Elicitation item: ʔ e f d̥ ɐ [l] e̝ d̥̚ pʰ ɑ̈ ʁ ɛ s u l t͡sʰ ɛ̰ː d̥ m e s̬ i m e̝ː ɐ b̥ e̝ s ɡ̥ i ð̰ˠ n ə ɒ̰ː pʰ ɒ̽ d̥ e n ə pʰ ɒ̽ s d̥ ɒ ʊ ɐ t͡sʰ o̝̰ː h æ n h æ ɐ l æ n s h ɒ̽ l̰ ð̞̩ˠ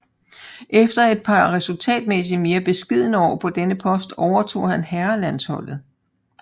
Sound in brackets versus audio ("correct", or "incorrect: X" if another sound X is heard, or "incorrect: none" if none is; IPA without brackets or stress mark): incorrect: none